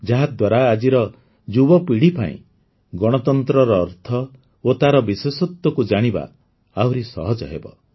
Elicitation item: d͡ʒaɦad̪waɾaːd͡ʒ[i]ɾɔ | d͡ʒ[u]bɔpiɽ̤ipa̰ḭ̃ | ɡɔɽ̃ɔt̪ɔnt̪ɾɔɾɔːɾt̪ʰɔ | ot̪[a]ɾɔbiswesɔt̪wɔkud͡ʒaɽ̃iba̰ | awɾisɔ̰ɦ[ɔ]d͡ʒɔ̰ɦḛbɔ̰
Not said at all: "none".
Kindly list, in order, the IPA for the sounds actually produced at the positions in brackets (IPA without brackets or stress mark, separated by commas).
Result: i, u, a, ɔ